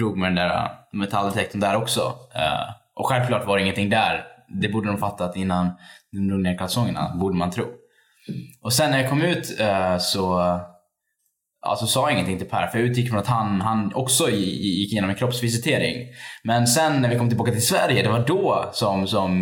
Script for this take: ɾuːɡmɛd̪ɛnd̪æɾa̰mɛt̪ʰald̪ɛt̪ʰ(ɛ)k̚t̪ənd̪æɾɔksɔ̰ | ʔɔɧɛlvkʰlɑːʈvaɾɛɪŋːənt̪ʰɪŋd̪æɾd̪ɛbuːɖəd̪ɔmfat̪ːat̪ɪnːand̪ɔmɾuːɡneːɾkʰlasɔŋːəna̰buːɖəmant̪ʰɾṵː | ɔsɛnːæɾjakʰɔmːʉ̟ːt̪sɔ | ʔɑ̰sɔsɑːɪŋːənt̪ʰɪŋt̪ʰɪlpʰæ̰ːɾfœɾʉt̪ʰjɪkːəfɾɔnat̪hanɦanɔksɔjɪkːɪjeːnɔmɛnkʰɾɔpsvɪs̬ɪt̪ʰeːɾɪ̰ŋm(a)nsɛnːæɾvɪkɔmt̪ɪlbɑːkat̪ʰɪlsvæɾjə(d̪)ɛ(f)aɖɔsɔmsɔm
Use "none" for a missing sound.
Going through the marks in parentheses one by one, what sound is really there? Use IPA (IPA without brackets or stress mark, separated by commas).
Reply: ɛ, ɛ, d̪, v